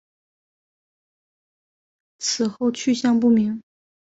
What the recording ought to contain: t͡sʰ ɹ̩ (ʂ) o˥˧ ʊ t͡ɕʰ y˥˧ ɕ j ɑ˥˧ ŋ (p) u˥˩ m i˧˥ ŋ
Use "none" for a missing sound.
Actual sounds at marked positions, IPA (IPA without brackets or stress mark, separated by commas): x, p